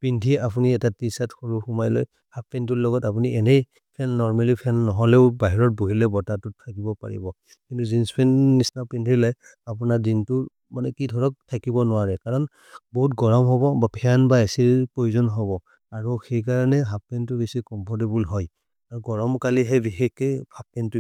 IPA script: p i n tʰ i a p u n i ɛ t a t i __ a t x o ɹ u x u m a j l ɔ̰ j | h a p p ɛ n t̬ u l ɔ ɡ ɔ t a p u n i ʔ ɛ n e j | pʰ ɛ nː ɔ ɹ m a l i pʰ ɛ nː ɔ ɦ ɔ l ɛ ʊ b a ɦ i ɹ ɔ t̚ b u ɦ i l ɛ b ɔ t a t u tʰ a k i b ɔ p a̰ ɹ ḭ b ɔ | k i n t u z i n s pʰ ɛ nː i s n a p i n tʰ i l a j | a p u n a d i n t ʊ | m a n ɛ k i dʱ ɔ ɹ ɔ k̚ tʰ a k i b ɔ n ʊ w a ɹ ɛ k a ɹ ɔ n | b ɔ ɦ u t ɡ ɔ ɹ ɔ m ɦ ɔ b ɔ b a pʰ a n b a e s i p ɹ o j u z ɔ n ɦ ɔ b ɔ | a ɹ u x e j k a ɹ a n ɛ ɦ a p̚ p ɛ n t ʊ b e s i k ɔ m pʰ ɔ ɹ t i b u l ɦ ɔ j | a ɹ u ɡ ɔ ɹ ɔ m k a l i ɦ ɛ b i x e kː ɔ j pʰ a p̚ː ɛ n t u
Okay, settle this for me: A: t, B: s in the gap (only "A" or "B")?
B